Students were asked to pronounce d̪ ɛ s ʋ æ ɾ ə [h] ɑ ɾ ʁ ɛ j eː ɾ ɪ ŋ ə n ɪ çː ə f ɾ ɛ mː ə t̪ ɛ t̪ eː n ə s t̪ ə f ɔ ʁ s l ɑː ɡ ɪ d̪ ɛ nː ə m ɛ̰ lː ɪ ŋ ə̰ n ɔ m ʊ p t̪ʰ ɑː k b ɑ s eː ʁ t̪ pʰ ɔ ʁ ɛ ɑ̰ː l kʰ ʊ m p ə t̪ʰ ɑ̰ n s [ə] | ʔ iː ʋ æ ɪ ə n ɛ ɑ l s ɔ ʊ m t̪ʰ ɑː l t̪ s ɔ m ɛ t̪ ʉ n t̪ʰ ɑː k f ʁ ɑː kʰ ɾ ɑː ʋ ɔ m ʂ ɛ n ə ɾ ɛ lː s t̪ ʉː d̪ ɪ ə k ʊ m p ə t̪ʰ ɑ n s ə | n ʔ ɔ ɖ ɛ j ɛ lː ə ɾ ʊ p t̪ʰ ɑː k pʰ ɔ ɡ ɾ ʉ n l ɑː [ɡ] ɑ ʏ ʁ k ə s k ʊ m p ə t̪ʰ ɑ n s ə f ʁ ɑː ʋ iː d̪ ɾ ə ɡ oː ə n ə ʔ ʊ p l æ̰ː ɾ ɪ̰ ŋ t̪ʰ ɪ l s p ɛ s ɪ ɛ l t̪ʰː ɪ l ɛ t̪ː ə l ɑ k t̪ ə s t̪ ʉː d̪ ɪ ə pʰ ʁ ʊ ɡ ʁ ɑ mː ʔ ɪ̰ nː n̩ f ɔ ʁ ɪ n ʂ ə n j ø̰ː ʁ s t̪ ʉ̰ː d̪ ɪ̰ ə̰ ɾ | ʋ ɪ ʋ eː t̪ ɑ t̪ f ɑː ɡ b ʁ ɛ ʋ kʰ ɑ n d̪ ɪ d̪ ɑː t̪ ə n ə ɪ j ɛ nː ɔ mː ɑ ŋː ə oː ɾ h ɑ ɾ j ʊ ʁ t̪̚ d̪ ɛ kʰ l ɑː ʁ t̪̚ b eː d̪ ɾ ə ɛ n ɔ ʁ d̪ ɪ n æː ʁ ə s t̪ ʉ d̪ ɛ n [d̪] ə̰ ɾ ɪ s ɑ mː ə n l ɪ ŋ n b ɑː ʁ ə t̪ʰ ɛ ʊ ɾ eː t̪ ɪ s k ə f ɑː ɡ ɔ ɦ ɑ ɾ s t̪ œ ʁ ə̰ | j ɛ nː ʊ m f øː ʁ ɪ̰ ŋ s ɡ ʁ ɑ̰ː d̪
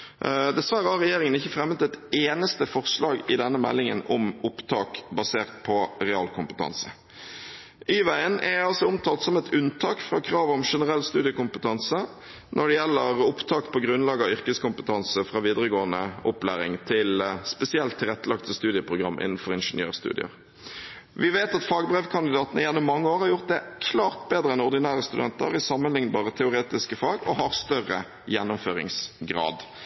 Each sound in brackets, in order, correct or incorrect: correct, correct, correct, incorrect: t̪

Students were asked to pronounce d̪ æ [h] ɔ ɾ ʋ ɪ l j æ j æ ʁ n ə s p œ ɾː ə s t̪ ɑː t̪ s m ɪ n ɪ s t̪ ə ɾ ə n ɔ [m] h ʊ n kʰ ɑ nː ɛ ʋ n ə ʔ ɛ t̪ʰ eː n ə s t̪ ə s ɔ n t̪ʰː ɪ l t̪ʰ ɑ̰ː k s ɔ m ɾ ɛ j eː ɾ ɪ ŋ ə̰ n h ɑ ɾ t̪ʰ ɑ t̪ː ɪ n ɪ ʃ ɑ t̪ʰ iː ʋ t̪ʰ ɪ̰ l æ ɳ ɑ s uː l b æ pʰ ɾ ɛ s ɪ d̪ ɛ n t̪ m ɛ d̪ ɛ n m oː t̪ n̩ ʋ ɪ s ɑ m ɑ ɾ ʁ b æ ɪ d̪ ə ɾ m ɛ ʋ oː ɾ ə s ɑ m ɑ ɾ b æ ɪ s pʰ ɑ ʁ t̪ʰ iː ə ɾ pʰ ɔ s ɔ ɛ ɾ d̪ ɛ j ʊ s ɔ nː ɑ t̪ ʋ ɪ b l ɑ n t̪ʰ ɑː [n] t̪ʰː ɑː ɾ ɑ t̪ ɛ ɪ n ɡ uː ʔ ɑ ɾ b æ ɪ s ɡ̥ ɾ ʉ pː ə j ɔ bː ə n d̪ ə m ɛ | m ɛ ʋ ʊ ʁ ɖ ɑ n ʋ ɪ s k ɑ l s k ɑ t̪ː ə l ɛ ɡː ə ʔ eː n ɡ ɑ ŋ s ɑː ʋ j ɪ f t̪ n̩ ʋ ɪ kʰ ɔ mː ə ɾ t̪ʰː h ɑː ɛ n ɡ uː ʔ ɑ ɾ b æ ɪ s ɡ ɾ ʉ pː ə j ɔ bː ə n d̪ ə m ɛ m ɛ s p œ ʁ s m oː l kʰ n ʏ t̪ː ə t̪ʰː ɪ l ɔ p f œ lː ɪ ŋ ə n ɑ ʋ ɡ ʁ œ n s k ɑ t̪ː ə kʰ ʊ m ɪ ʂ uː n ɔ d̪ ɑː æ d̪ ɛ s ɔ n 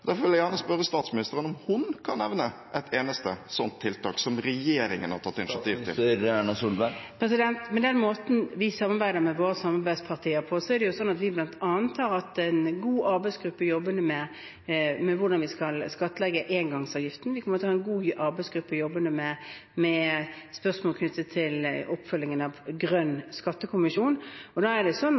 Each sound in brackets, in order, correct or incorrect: incorrect: f, correct, correct

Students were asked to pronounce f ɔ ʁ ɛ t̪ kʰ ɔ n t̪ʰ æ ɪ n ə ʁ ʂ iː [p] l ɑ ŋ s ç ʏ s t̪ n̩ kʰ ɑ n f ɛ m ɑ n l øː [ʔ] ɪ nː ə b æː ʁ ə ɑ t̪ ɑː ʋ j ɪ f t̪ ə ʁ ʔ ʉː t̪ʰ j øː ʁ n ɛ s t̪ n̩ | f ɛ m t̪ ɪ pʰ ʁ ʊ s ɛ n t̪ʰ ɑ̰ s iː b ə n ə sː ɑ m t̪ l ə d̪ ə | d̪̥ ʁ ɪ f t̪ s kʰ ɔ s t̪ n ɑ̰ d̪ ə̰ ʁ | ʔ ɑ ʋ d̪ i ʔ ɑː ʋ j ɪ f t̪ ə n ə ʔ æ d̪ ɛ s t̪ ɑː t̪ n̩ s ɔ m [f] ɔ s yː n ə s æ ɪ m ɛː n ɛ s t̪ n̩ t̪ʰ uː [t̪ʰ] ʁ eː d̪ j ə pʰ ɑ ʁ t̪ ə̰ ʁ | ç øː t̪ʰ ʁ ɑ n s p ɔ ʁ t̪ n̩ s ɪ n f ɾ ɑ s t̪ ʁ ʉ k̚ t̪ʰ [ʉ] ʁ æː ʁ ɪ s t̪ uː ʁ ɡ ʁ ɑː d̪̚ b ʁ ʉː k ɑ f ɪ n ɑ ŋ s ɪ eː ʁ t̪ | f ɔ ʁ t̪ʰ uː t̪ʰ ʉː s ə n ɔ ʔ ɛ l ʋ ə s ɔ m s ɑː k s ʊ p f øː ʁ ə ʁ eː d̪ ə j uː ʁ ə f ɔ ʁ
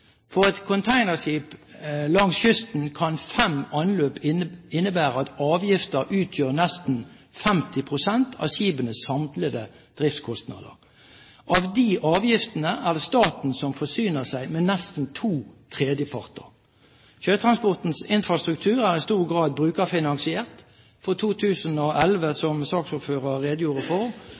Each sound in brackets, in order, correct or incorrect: correct, incorrect: p, correct, correct, incorrect: ʉː

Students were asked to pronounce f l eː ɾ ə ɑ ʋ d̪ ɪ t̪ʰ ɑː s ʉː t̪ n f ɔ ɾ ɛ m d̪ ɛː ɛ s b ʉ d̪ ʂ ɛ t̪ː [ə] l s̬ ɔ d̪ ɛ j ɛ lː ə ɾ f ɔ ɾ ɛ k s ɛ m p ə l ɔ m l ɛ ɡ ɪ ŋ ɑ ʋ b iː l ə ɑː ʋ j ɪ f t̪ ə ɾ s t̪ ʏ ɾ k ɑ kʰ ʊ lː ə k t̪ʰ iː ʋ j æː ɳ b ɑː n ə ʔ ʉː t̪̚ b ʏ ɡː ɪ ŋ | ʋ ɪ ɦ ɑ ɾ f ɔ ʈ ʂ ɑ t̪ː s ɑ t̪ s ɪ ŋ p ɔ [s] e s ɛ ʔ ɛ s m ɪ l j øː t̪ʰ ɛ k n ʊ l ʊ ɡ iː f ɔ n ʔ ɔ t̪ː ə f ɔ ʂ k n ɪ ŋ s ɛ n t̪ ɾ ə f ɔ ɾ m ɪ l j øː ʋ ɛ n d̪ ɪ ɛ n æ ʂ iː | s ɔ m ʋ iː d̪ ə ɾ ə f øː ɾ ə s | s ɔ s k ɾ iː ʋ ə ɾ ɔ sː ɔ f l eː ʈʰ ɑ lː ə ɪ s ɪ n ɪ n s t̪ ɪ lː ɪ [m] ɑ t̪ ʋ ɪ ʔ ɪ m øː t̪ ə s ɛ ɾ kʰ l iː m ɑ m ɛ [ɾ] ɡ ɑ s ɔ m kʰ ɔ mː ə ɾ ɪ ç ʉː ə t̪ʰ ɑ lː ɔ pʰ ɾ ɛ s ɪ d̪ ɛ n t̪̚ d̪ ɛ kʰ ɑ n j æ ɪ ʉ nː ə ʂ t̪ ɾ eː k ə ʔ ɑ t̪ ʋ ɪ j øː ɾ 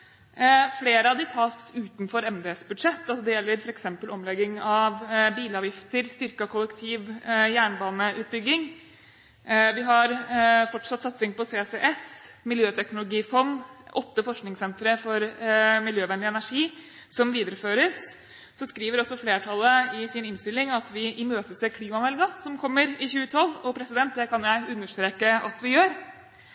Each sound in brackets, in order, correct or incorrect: incorrect: ɑ, correct, incorrect: ŋ, incorrect: l

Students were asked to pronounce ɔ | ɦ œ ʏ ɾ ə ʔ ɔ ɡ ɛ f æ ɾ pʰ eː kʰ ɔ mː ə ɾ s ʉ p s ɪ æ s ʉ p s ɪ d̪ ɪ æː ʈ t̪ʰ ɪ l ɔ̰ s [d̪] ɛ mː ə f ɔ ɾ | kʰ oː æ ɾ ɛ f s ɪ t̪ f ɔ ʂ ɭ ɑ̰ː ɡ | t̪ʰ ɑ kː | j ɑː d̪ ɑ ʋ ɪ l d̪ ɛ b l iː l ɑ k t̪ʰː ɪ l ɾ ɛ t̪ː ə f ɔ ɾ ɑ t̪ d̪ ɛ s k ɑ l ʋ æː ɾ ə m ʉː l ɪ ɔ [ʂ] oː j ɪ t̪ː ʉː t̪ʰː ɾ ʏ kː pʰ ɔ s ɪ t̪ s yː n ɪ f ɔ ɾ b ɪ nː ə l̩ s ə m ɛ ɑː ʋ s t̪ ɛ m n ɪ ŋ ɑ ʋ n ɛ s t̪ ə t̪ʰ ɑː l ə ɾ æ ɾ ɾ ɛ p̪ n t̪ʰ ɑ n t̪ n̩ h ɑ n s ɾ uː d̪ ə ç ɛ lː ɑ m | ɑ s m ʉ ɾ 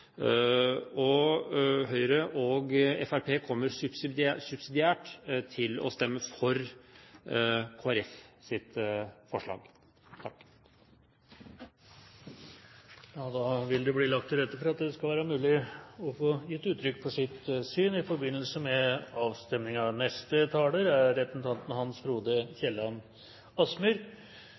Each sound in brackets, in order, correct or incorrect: incorrect: t̪, incorrect: f

